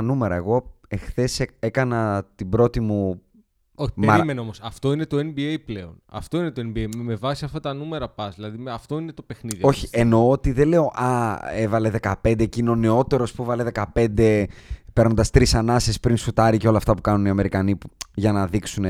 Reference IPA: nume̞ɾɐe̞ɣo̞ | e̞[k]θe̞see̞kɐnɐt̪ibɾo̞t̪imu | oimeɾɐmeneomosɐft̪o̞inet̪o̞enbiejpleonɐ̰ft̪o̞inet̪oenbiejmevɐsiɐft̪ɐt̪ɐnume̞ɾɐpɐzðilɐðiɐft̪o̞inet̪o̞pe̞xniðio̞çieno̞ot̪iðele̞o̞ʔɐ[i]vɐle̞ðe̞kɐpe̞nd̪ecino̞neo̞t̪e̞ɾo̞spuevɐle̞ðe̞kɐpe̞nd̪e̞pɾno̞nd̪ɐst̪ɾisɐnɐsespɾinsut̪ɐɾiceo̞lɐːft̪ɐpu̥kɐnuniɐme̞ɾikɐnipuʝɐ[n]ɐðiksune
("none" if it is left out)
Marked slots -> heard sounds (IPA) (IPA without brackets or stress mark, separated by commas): x, e, n